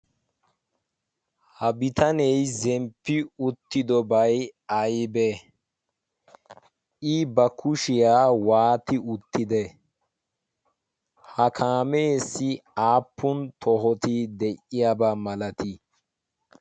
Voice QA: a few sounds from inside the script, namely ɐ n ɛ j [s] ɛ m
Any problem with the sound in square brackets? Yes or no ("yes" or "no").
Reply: yes